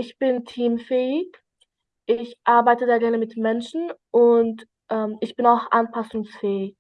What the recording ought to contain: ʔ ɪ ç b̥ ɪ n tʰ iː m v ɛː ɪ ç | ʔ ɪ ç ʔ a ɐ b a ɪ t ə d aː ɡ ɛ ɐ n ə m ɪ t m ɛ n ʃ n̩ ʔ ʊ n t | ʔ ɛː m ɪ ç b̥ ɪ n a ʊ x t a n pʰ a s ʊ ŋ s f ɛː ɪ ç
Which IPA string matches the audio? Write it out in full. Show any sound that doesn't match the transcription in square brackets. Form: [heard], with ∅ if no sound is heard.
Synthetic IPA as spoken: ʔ ɪ ç b̥ ɪ n tʰ iː m [f] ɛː ɪ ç | ʔ ɪ ç ʔ a ɐ b a ɪ t ə d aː ɡ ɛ ɐ n ə m ɪ t m ɛ n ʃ n̩ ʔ ʊ n t | ʔ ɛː m ɪ ç b̥ ɪ n a ʊ x [ʔ] a n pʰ a s ʊ ŋ s f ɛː ɪ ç